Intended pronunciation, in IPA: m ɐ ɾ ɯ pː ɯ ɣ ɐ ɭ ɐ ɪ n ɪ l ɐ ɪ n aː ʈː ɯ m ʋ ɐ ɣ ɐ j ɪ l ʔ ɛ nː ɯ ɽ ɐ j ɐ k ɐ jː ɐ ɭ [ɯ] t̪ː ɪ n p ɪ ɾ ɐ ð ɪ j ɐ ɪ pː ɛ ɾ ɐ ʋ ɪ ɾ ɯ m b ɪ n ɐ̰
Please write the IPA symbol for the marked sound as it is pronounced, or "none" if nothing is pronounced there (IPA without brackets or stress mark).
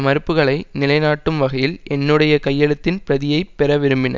ɯ